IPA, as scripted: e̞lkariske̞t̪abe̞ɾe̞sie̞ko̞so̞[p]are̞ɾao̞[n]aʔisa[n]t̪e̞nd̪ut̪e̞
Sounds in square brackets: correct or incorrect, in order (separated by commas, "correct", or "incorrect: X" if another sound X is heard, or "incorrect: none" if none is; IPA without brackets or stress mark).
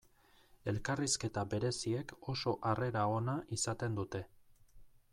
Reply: incorrect: ʔ, correct, incorrect: none